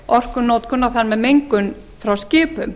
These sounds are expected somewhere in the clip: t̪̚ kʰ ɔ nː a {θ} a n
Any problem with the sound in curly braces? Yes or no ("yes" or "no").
no